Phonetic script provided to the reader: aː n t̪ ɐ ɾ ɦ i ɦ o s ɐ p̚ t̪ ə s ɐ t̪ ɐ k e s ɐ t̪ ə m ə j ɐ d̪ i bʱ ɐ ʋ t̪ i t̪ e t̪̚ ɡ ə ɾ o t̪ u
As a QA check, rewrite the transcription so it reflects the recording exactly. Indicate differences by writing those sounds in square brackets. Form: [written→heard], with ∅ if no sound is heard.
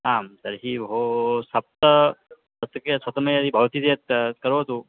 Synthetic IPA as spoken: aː [n→m] t̪ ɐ ɾ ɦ i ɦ o s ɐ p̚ t̪ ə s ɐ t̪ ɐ k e s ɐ t̪ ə m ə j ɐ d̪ i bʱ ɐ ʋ t̪ i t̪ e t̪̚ [ɡ→k] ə ɾ o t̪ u